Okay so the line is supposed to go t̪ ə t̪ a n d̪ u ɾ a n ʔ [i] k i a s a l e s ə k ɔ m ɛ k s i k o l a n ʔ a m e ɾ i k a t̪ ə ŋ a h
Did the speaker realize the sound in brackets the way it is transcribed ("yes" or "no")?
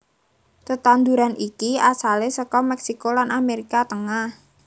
yes